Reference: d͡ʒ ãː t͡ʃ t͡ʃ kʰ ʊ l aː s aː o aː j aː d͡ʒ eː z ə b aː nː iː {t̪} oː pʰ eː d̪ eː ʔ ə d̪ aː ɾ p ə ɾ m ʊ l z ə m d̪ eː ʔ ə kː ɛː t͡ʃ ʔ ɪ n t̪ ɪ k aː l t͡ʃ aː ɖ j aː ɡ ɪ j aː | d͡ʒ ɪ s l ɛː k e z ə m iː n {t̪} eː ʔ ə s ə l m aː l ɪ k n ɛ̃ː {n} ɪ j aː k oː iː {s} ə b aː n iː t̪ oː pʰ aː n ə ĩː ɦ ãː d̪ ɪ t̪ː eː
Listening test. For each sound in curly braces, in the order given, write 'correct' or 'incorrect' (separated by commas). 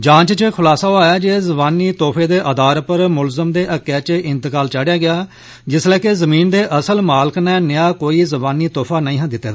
correct, incorrect, correct, incorrect